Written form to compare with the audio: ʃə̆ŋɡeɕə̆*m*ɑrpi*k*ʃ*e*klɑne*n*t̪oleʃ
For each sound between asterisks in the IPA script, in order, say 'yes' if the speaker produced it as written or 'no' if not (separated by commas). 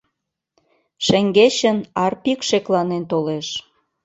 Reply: no, yes, yes, yes